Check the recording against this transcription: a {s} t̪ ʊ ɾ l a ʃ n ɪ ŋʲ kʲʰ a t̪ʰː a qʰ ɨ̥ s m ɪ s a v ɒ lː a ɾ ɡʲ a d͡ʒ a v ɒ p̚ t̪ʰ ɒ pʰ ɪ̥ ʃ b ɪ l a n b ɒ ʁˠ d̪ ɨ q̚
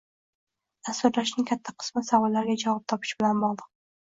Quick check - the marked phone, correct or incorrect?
correct